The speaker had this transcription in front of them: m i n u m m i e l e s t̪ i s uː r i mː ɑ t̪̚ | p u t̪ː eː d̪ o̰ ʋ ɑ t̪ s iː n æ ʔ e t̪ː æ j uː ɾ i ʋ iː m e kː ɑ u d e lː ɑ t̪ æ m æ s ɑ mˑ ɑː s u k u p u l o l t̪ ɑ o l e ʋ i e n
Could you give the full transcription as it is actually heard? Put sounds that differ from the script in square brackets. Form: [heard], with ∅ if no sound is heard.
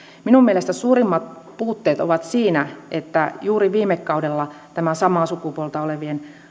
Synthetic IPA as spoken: m i n u m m i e l e s t̪ [æ] s uː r i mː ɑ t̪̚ | p [uː] t̪ː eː [t̪] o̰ ʋ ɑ t̪ s iː n æ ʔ e t̪ː æ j uː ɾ i ʋ iː m e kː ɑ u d e lː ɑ t̪ æ m æ s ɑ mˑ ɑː s u k u p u [∅] o l t̪ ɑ o l e ʋ i e n